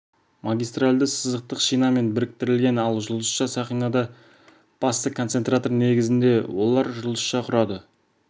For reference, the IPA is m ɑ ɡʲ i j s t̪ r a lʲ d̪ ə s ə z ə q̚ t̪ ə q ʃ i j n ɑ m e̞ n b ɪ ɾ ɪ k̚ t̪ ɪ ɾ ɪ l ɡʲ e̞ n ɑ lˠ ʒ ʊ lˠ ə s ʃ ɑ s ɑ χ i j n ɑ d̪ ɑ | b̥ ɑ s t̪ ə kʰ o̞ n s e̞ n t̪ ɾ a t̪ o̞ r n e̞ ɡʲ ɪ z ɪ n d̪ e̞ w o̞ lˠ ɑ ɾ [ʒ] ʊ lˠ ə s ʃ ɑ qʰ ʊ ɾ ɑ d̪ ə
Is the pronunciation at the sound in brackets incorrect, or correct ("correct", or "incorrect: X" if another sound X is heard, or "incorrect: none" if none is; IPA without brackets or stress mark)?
correct